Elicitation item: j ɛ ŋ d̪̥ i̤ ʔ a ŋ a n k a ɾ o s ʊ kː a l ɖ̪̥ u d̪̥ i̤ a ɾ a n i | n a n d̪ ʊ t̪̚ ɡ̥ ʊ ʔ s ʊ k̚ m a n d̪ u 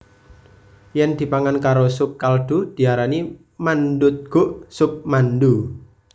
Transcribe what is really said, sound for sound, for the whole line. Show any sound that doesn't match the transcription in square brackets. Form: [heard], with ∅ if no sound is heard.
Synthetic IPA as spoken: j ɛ [n] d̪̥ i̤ [p] a ŋ a n k a ɾ o s ʊ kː a l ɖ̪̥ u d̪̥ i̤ a ɾ a n i | [m] a n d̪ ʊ t̪̚ ɡ̥ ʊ ʔ s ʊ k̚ m a n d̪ u